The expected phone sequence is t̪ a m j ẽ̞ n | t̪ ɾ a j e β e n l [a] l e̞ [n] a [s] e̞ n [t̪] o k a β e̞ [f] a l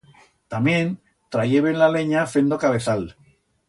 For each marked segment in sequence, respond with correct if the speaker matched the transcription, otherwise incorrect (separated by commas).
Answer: correct, incorrect, incorrect, incorrect, incorrect